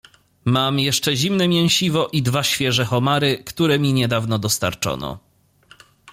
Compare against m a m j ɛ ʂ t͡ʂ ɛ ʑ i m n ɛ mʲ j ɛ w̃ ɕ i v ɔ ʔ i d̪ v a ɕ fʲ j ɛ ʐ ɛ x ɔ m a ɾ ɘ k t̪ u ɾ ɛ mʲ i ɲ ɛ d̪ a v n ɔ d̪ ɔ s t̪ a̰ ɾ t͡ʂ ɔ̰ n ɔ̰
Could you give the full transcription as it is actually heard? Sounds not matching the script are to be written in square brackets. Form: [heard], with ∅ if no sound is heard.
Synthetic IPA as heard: m a m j ɛ ʂ t͡ʂ ɛ ʑ i m n ɛ mʲ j ɛ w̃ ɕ i v ɔ ʔ i d̪ v a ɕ fʲ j ɛ ʐ ɛ x ɔ m a ɾ ɘ k t̪ u ɾ ɛ mʲ i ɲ ɛ d̪ a v n ɔ d̪ ɔ s t̪ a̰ ɾ t͡ʂ ɔ̰ n ɔ̰